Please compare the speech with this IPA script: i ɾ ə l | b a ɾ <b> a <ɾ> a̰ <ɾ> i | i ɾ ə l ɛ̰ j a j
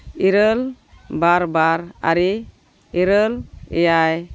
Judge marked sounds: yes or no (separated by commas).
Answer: yes, yes, yes